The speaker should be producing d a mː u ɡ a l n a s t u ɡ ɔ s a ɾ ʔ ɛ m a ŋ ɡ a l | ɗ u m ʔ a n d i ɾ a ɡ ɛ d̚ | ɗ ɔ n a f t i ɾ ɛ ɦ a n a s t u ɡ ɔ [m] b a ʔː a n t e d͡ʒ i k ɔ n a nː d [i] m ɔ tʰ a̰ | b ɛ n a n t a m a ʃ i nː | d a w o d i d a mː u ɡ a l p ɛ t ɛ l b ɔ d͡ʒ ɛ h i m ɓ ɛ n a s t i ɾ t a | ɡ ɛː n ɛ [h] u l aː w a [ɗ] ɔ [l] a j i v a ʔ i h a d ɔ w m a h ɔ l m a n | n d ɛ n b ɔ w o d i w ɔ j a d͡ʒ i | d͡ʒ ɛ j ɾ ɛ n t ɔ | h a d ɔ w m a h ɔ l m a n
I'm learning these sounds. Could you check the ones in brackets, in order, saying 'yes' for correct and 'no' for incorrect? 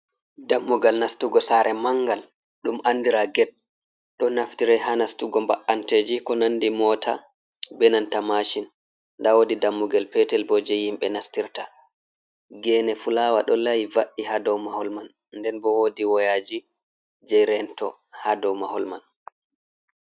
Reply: yes, yes, no, yes, yes

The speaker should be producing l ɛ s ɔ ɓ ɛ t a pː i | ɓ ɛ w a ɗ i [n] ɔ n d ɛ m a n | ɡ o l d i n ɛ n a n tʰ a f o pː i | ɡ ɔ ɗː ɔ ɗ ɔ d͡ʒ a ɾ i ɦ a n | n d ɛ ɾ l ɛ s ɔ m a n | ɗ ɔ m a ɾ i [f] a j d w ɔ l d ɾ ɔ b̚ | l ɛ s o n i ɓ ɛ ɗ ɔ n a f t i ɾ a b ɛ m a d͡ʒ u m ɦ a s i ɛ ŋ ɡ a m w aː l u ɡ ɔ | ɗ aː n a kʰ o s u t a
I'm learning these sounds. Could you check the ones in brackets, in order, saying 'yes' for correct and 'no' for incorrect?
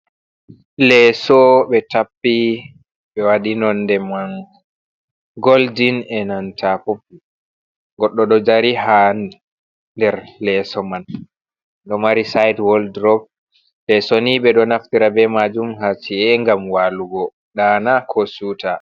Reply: yes, no

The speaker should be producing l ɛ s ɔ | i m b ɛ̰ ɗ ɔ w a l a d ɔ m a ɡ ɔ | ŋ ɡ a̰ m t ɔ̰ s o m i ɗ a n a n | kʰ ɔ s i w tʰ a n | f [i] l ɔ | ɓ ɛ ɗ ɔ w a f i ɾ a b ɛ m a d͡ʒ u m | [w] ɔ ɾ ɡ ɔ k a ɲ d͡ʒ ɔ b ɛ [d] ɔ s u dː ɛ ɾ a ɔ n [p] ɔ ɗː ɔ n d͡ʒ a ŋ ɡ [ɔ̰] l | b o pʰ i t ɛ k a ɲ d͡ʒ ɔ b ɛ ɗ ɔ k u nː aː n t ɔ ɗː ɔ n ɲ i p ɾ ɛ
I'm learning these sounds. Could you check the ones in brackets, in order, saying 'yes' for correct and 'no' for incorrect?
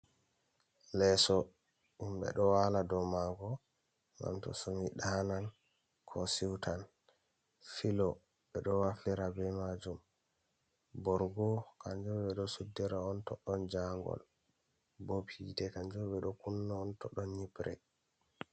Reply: yes, no, no, no, yes

